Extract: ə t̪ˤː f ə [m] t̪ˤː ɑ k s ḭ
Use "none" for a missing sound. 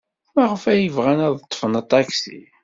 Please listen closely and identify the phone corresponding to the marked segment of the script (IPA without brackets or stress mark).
n